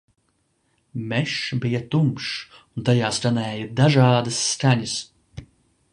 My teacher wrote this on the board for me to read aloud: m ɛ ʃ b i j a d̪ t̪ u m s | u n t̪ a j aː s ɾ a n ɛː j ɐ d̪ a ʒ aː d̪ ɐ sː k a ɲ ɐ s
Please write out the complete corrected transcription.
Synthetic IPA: m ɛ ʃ b i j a t̪ u m ʃ | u n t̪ a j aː s ɾ a n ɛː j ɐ d̪ a ʒ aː d̪ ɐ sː k a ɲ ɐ s